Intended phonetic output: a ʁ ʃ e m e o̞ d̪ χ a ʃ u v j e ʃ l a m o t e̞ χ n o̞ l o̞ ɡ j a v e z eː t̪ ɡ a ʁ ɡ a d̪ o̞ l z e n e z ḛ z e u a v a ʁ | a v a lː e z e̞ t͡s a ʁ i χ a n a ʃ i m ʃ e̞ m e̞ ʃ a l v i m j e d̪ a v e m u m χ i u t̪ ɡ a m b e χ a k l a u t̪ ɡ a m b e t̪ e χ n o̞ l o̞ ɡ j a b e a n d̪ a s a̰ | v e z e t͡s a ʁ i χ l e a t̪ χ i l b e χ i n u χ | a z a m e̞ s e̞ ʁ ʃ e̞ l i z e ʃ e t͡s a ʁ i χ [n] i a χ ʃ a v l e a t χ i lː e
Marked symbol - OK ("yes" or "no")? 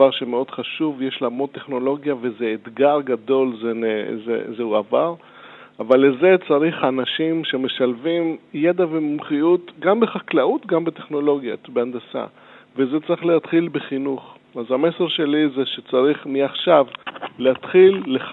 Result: no